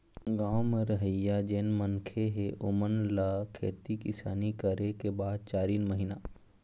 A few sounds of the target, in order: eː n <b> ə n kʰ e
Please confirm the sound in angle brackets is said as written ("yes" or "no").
no